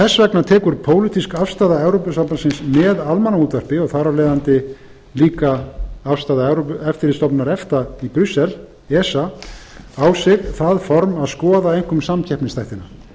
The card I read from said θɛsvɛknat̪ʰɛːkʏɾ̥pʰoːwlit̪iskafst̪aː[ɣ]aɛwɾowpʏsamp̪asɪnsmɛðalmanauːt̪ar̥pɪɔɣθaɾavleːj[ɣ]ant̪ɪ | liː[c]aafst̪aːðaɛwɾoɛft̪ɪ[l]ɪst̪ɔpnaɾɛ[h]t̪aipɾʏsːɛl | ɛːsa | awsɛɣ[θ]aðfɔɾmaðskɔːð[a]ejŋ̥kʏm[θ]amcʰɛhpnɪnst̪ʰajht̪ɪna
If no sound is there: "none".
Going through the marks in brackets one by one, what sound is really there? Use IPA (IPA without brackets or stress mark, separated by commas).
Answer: ð, ð, k, ɾ, f, θ, a, s